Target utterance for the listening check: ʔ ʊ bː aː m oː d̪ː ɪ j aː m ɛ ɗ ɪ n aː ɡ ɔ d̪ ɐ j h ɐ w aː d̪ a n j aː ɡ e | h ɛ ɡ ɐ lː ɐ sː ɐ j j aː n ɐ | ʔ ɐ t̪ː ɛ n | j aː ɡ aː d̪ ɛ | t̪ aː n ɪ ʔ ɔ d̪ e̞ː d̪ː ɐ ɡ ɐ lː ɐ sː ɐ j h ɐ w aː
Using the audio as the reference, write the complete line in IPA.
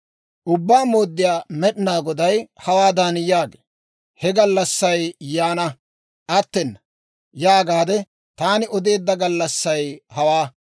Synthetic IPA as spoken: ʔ ʊ bː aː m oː d̪ː ɪ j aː m ɛ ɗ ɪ n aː ɡ ɔ d̪ ɐ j h ɐ w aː d̪ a n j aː ɡ e | h ɛ ɡ ɐ lː ɐ sː ɐ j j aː n ɐ | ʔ ɐ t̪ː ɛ n | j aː ɡ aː d̪ ɛ | t̪ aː n ɪ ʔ ɔ d̪ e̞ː d̪ː ɐ ɡ ɐ lː ɐ sː ɐ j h ɐ w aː